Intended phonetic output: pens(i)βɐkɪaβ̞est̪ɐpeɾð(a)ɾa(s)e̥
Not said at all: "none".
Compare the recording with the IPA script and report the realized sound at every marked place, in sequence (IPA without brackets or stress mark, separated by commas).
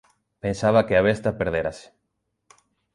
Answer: a, e, s